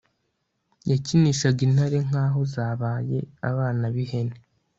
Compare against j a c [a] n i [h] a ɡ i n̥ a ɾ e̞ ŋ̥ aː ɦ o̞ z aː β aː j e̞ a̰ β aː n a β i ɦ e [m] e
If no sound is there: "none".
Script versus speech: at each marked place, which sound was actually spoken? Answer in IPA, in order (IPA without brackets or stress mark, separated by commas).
i, ʃ, n